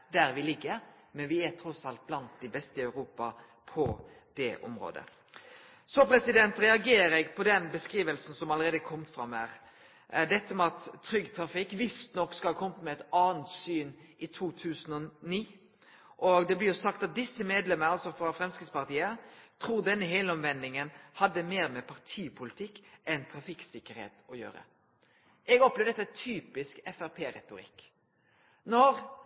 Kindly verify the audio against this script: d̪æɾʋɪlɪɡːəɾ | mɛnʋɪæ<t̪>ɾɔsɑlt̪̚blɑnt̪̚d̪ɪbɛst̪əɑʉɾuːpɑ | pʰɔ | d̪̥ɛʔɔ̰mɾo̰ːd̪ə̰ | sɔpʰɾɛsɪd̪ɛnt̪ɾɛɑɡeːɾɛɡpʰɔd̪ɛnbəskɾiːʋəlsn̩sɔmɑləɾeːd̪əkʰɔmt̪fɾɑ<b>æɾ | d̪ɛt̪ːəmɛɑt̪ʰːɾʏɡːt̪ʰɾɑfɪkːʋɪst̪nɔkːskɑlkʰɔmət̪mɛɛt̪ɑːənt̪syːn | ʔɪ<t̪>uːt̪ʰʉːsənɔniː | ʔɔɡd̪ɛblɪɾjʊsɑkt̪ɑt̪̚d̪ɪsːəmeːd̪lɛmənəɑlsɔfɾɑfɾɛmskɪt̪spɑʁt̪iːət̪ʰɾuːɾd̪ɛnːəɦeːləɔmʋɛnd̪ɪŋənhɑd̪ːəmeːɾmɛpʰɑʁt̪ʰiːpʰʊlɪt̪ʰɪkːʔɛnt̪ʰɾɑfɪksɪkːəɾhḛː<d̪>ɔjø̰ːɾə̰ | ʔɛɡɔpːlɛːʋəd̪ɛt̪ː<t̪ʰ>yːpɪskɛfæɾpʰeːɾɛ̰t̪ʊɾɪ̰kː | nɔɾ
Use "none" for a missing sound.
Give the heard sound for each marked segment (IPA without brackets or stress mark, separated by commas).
t̪ʰ, m, t̪ʰ, t̪, t̪ʰ